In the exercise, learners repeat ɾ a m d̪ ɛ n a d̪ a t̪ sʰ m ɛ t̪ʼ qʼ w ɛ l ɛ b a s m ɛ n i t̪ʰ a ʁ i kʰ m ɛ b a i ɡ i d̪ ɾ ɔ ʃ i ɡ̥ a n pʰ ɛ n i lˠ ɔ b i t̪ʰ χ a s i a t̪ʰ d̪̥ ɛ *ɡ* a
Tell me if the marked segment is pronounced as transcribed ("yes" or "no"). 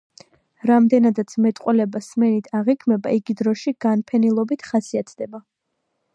no